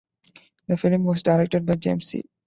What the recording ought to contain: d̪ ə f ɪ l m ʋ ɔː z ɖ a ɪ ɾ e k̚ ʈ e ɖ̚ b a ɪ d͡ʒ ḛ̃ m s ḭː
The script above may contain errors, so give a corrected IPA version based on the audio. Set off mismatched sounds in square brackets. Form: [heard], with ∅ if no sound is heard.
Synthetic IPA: d̪ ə f ɪ l m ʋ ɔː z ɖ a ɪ ɾ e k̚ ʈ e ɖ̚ b a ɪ d͡ʒ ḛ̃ m s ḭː